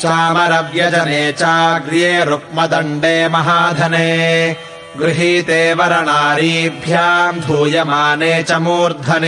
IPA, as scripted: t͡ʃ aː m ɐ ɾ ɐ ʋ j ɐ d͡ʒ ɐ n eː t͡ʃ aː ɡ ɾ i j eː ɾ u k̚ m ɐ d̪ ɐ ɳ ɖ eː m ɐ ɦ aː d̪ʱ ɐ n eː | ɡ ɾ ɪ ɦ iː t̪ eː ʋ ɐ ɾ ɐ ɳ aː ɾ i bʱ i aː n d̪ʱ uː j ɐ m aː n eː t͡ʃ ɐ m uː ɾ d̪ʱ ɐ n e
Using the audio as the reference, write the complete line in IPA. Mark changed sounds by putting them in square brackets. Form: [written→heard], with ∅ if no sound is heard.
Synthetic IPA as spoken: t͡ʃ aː m ɐ ɾ ɐ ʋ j ɐ d͡ʒ ɐ n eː t͡ʃ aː ɡ ɾ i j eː ɾ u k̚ m ɐ d̪ ɐ ɳ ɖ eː m ɐ ɦ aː d̪ʱ ɐ n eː | ɡ ɾ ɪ ɦ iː t̪ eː ʋ ɐ ɾ ɐ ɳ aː ɾ i bʱ [i→j] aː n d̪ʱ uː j ɐ m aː n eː t͡ʃ ɐ m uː ɾ d̪ʱ ɐ n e